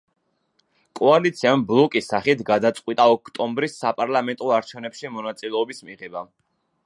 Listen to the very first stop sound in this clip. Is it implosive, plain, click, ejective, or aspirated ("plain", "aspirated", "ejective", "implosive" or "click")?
ejective